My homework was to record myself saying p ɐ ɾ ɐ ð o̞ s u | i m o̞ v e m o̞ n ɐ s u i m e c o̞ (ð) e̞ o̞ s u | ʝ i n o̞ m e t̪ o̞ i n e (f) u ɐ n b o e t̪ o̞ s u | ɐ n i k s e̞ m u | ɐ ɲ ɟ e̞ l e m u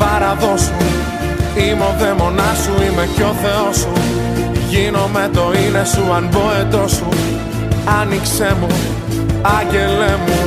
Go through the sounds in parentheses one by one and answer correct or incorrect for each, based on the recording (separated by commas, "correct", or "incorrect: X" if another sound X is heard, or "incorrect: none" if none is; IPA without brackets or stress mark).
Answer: incorrect: θ, incorrect: s